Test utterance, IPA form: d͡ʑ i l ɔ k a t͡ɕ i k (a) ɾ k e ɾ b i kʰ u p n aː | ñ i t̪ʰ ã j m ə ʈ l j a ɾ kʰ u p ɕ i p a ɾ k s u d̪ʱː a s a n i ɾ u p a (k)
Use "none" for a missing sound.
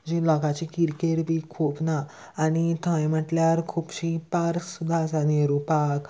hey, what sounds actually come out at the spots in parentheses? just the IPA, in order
i, k

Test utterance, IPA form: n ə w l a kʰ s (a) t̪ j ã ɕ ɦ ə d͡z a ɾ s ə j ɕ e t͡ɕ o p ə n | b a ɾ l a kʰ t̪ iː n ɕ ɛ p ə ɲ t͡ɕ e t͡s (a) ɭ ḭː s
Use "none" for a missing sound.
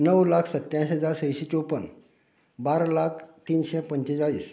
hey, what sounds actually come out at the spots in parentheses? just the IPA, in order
ə, a

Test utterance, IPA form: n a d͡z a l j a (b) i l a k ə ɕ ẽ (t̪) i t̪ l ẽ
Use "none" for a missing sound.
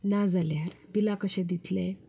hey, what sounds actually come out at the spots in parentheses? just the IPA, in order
b, d̪

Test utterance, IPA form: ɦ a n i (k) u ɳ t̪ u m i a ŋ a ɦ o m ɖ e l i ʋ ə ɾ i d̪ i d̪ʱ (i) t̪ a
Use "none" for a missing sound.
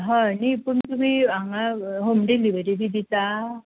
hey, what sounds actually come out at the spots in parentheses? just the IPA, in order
p, i

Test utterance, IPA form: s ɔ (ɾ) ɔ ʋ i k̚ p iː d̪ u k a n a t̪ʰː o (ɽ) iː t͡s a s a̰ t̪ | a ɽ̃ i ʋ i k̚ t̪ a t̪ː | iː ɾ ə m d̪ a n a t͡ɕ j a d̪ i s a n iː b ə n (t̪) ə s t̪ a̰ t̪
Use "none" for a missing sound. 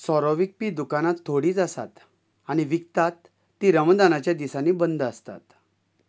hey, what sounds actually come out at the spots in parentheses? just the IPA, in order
ɾ, ɽ, d̪

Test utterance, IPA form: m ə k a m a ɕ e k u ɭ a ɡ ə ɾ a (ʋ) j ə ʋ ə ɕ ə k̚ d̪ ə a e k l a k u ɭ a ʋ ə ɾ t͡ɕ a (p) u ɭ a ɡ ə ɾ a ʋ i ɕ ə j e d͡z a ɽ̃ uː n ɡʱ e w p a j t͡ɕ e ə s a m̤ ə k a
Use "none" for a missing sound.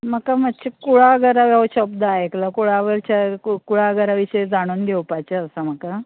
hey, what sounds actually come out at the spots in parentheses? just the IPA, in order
ʋ, k

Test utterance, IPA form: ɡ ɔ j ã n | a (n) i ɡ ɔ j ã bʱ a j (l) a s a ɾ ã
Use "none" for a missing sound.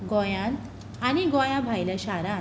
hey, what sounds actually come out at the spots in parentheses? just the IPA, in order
n, l

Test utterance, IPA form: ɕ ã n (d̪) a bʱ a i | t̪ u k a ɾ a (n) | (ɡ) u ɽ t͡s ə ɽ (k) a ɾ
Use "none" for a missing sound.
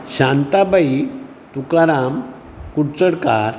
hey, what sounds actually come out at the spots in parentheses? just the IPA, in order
t̪, m, k, k

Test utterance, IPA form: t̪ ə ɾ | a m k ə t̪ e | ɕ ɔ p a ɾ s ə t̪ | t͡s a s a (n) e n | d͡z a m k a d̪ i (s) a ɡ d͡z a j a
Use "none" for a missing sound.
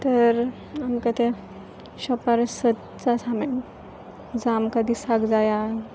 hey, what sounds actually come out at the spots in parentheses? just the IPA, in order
m, s

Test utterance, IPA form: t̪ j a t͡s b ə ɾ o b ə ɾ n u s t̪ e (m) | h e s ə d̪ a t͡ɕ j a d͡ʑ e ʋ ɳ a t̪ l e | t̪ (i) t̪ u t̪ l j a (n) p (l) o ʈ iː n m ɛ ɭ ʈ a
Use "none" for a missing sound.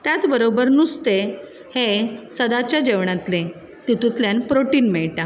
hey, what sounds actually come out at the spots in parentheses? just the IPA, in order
none, i, n, ɾ

